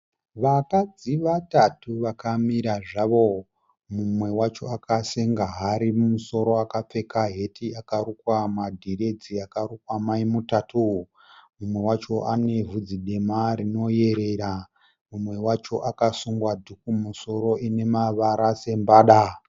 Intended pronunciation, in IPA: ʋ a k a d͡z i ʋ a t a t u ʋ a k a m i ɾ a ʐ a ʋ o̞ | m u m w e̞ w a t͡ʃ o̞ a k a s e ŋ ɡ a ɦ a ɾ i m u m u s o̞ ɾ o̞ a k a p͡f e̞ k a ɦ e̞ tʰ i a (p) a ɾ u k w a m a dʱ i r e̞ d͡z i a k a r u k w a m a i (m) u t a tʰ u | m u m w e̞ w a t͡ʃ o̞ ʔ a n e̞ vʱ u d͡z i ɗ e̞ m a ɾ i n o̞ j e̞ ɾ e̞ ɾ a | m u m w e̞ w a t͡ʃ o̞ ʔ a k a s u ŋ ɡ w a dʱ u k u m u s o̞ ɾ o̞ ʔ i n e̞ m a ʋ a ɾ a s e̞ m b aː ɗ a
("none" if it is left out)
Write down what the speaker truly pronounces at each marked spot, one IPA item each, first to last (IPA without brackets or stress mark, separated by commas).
k, m